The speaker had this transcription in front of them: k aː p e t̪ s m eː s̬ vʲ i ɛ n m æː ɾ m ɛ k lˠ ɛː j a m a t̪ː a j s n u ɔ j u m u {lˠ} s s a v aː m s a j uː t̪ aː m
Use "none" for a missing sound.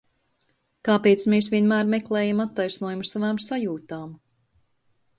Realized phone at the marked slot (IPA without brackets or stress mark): none